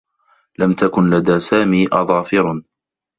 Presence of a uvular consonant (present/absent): absent